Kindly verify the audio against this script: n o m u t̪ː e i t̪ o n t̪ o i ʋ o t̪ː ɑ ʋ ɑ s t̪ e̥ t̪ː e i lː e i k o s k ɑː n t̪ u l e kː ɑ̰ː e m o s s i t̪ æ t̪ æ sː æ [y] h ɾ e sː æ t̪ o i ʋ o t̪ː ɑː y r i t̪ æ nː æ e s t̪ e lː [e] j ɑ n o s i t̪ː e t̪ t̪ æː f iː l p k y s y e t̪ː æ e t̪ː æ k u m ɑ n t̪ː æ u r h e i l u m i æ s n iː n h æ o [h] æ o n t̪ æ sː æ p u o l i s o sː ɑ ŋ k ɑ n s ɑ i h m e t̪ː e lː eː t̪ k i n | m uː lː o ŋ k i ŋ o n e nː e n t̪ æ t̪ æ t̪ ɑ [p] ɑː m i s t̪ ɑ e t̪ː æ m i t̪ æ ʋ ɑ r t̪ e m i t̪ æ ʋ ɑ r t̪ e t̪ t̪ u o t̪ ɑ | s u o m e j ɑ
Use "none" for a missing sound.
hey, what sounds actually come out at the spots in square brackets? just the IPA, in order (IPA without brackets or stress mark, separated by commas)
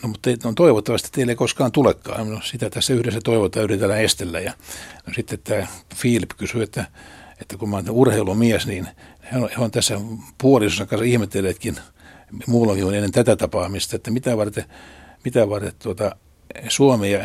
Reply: y, æ, h, p